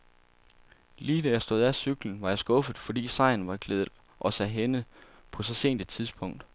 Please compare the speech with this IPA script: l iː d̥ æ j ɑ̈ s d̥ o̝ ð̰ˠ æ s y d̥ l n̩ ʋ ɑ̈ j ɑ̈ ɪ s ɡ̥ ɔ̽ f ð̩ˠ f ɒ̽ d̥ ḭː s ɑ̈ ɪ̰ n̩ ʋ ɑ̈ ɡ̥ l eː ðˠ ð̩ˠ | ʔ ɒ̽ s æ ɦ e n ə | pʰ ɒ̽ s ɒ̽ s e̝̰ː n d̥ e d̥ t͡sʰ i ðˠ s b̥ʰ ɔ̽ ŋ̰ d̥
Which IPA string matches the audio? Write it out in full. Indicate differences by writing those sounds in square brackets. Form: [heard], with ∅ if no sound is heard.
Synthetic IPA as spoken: l iː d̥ æ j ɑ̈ s d̥ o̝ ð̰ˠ æ s y [ɡ̥] l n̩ ʋ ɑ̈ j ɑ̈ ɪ s ɡ̥ ɔ̽ f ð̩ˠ f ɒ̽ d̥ ḭː s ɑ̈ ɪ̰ n̩ ʋ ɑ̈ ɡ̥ l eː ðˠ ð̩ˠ | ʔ ɒ̽ s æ ɦ e n ə | pʰ ɒ̽ s ɒ̽ s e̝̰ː n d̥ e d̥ t͡sʰ i ðˠ s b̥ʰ ɔ̽ ŋ̰ d̥